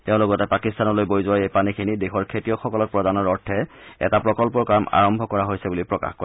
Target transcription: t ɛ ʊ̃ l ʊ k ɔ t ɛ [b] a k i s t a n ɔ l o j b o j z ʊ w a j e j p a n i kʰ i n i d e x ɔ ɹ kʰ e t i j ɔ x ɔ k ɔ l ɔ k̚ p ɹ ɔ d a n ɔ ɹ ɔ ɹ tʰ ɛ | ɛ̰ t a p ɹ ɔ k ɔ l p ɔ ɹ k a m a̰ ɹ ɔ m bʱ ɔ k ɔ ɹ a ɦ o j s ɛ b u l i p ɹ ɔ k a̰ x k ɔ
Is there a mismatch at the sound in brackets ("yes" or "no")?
yes